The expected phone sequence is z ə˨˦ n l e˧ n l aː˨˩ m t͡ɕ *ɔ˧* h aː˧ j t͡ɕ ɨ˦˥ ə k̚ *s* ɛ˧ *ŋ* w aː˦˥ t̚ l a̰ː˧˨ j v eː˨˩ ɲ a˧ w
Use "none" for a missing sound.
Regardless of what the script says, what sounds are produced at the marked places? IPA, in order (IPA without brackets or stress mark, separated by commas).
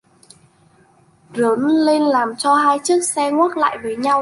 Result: ɔ˧, s, ŋ